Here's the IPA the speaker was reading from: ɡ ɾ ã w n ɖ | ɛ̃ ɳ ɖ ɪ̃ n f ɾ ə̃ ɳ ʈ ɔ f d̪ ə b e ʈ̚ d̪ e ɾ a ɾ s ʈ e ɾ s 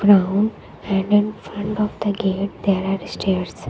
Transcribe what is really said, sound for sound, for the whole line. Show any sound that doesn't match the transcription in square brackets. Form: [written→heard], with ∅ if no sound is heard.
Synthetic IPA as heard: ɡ ɾ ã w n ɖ | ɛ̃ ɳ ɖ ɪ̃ n f ɾ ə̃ ɳ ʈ ɔ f d̪ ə [b→ɡ] e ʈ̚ d̪ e ɾ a ɾ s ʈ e ɾ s